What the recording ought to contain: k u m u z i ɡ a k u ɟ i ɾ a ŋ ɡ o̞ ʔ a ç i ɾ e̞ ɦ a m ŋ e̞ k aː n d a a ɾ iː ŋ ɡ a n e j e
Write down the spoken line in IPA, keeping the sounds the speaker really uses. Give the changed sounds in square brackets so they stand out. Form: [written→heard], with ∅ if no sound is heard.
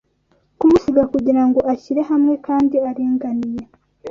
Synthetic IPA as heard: k u m u [z→s] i ɡ a k u ɟ i ɾ a ŋ ɡ o̞ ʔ a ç i ɾ e̞ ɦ a m ŋ e̞ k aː n d [a→i] a ɾ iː ŋ ɡ a n [e→i] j e